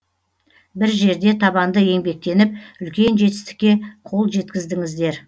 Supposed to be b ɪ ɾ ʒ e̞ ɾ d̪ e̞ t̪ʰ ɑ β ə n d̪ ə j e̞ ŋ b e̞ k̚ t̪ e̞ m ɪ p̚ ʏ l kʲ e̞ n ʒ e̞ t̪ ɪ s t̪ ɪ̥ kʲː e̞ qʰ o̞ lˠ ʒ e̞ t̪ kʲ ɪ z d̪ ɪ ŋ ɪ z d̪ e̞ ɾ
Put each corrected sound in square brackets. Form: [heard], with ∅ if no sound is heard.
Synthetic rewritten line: b ɪ ɾ ʒ e̞ ɾ d̪ e̞ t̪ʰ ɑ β [ɑ] n d̪ ə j e̞ ŋ b e̞ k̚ t̪ e̞ [n] ɪ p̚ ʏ l kʲ e̞ n ʒ e̞ t̪ ɪ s t̪ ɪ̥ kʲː e̞ qʰ o̞ lˠ ʒ e̞ t̪ kʲ ɪ z d̪ ɪ ŋ ɪ z d̪ e̞ ɾ

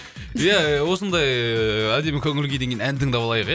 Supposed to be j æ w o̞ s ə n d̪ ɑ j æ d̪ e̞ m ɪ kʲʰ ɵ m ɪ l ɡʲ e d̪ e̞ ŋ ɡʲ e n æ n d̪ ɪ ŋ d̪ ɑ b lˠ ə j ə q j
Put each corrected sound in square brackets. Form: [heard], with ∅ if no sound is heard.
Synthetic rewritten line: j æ w o̞ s ə n d̪ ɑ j æ d̪ e̞ m ɪ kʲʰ ɵ [ŋ] ɪ l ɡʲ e d̪ e̞ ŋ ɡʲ e n æ n d̪ ɪ ŋ d̪ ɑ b lˠ [ɑ] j ə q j

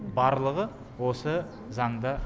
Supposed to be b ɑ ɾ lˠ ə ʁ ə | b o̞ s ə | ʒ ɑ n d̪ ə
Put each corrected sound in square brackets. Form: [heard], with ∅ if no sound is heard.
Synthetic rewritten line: b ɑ ɾ lˠ ə ʁ ə | [w] o̞ s ə | [z] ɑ [ɴ] d̪ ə

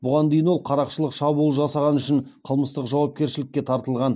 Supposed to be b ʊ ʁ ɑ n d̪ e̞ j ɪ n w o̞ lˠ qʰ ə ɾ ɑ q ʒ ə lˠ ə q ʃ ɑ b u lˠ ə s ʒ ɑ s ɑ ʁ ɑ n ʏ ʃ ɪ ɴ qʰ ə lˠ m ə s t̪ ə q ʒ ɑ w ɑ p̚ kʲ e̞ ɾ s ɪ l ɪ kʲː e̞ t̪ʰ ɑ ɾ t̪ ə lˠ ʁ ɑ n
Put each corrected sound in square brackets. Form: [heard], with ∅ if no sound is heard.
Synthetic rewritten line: b ʊ ʁ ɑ n d̪ e̞ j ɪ n w o̞ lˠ qʰ [ɑ] ɾ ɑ q [ʃ] ə lˠ ə q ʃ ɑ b u lˠ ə [∅] ʒ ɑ s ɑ ʁ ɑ n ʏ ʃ ɪ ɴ qʰ ə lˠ m ə s t̪ ə q ʒ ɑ w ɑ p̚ kʲ e̞ ɾ [ʃ] ɪ l ɪ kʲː e̞ t̪ʰ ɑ ɾ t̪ ə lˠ ʁ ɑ n

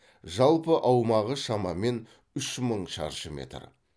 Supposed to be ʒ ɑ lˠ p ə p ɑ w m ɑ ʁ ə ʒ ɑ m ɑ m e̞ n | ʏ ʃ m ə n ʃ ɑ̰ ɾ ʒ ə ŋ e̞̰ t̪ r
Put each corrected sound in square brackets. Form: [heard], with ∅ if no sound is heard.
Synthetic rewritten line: ʒ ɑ lˠ p ə [ʔ] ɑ w m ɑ ʁ ə [ʃ] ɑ m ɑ m e̞ n | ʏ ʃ m ə [ɴ] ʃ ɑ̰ ɾ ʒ ə [m] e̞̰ t̪ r

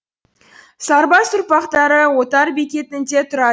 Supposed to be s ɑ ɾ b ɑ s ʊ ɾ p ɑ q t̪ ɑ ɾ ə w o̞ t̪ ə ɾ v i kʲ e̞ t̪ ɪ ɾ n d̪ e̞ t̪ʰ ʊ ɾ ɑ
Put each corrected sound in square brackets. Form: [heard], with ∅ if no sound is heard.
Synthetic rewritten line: s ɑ ɾ b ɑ s ʊ ɾ p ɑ q t̪ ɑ ɾ ə w o̞ t̪ [ɑ] ɾ [b] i kʲ e̞ t̪ ɪ [∅] n d̪ e̞ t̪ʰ ʊ ɾ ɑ

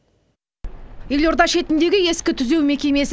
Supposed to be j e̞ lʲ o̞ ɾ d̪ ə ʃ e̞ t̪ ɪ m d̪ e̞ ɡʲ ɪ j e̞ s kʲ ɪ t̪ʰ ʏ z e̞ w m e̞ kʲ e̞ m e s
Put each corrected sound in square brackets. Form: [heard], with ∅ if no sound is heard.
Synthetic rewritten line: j e̞ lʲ o̞ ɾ d̪ [ɑ] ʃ e̞ t̪ ɪ [n] d̪ e̞ ɡʲ ɪ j e̞ s kʲ ɪ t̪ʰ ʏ z e̞ w m e̞ kʲ e̞ m e s

